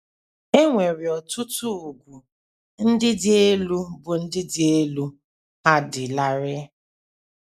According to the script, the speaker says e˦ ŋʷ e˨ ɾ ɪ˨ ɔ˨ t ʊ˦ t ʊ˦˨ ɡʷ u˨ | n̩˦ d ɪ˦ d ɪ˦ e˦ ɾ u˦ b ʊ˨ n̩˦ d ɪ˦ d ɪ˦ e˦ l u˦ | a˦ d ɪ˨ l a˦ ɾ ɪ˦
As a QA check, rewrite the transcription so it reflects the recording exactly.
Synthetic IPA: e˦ ŋʷ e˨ ɾ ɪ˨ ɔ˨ t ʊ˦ t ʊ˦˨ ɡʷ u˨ | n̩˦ d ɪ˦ d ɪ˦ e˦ l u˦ b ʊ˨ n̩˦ d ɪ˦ d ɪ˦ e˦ l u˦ | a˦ d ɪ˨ l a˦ ɾ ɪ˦